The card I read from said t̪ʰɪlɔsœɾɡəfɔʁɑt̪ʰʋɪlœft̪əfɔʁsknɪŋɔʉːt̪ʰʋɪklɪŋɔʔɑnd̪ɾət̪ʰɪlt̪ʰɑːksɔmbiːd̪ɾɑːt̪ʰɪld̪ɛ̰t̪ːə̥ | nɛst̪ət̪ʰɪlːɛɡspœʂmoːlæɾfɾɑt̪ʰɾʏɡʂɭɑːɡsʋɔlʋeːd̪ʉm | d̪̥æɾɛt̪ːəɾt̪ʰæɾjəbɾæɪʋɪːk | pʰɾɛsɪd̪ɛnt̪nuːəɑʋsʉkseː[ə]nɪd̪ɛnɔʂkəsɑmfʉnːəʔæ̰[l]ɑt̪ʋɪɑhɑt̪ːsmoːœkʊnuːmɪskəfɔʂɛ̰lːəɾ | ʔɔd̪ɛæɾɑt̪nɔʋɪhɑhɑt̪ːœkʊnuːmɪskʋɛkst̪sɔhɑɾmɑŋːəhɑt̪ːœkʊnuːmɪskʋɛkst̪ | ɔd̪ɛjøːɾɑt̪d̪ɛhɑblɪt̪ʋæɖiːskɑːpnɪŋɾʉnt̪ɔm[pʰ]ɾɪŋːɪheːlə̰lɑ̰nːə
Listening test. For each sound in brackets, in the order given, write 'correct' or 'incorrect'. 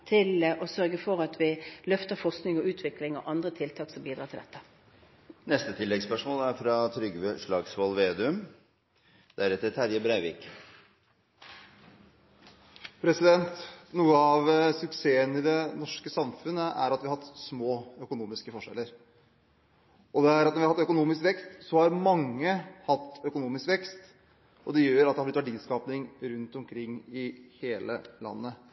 correct, incorrect: ɾ, incorrect: kʰ

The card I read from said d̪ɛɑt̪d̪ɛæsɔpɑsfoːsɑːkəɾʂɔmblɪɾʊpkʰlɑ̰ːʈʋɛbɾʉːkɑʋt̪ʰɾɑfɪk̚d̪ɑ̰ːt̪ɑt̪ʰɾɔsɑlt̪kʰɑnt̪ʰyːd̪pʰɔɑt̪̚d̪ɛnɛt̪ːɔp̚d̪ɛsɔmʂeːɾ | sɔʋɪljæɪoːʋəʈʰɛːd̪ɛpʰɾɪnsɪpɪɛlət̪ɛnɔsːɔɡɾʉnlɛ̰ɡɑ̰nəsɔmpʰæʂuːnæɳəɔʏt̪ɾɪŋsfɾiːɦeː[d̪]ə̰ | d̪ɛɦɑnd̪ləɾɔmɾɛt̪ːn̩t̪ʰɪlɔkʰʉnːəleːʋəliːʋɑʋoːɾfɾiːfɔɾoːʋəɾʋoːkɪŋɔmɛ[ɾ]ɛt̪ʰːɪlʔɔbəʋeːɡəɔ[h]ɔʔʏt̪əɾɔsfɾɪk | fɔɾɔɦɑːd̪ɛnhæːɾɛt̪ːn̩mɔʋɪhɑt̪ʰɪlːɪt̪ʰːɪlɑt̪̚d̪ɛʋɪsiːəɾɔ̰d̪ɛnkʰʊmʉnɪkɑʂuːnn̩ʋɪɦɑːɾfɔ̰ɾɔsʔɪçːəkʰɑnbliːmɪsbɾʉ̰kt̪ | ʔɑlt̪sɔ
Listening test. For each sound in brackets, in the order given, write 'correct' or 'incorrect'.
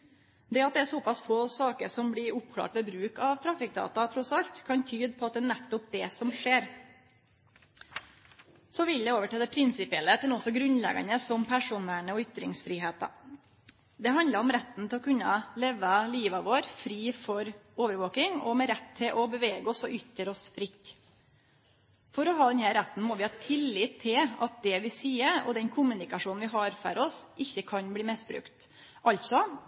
incorrect: t̪, correct, incorrect: s

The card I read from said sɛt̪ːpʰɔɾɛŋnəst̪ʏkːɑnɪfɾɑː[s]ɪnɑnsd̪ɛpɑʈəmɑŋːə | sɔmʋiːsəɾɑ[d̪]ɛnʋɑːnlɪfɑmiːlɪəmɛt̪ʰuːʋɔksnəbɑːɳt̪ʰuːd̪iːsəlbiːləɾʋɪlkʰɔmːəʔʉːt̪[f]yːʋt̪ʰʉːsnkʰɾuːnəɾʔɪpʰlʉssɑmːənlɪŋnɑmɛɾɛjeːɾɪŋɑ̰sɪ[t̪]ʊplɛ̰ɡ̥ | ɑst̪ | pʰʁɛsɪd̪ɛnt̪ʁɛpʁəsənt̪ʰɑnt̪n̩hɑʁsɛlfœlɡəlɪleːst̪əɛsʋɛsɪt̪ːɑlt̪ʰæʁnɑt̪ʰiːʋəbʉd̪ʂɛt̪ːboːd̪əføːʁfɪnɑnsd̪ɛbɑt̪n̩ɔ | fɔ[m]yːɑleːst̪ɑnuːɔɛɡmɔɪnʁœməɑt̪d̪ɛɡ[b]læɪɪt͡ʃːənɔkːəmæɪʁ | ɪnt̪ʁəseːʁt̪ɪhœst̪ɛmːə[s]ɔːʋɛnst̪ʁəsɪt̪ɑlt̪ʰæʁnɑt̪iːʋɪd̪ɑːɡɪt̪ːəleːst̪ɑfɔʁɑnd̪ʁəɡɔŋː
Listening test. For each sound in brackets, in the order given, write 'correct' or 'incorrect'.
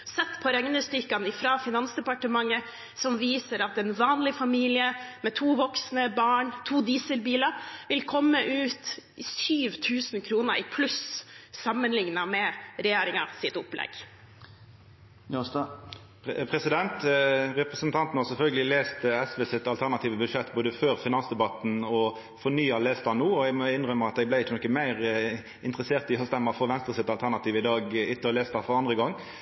incorrect: f, incorrect: t̪, incorrect: s, correct, incorrect: n, correct, incorrect: f

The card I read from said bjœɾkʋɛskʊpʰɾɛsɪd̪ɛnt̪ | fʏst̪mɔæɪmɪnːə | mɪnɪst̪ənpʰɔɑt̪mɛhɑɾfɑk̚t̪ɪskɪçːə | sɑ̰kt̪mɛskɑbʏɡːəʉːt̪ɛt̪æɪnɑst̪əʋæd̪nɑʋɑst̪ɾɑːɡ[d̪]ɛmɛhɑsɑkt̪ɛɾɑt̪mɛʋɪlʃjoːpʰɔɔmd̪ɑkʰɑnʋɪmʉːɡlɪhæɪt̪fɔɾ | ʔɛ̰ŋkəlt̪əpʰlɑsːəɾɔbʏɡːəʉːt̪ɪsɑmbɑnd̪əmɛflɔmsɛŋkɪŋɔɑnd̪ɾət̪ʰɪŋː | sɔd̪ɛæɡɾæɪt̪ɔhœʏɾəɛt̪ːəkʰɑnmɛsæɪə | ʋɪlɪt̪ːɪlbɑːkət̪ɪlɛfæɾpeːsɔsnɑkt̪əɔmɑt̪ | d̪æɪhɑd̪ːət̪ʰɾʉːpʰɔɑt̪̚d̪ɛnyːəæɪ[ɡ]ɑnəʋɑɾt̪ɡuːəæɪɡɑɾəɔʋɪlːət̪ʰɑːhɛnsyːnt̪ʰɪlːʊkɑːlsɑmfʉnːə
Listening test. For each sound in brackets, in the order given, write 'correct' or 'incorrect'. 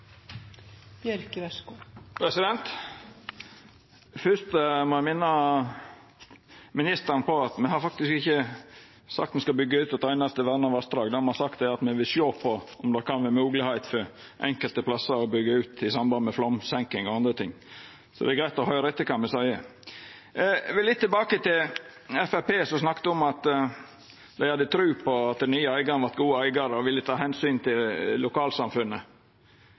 correct, correct

